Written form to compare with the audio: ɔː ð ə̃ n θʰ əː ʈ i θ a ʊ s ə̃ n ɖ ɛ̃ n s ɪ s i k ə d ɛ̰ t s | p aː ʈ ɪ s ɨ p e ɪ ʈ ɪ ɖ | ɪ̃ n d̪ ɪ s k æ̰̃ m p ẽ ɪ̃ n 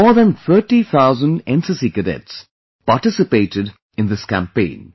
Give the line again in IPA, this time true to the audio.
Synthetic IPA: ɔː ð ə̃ n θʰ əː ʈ i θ a ʊ z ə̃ n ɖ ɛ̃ n s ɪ s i k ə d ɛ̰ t s | p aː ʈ ɪ s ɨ p e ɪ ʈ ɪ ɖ | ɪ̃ n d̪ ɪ s k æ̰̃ m p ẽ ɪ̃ n

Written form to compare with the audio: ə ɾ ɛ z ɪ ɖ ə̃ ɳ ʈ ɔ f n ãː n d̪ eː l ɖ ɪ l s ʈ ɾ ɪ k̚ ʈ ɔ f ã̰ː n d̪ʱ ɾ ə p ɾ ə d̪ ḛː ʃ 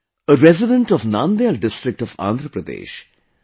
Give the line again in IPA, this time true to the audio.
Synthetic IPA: ə ɾ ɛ z ɪ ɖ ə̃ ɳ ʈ ɔ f n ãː n d̪ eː l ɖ ɪ s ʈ ɾ ɪ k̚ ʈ ɔ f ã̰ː n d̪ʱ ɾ ə p ɾ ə d̪ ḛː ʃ

